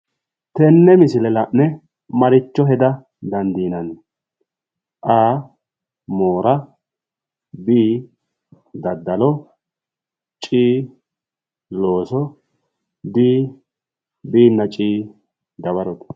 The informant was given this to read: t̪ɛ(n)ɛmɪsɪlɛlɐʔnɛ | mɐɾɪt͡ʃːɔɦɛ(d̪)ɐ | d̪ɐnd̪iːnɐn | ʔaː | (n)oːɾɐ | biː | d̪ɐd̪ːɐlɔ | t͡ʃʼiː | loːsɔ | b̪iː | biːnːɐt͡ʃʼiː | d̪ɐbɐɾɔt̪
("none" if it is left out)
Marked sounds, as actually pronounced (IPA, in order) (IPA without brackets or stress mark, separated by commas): nː, d̪, m